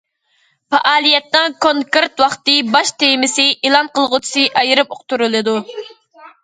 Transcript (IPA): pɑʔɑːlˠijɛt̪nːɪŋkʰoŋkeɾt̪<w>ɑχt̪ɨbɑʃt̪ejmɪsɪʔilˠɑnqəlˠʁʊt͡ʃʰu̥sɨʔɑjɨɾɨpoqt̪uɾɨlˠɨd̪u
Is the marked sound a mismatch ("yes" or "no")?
no